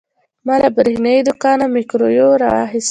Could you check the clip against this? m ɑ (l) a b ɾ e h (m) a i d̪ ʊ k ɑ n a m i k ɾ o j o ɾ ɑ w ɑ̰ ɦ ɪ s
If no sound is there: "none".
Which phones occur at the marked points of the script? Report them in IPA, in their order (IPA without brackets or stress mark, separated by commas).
l, n